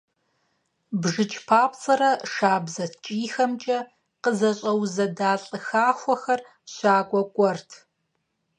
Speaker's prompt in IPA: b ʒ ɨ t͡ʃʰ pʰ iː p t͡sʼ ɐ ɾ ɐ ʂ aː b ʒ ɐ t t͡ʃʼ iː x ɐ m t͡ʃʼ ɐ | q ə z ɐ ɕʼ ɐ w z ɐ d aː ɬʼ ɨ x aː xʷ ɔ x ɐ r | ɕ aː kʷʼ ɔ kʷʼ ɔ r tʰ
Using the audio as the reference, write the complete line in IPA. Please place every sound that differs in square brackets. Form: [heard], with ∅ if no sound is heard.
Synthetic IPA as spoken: b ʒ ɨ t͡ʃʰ pʰ [aː] p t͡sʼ ɐ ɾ ɐ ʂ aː b [z] ɐ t t͡ʃʼ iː x ɐ m t͡ʃʼ ɐ | q ə z ɐ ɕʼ ɐ w z ɐ d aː ɬʼ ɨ x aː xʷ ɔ x ɐ r | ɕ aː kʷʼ ɔ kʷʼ ɔ r tʰ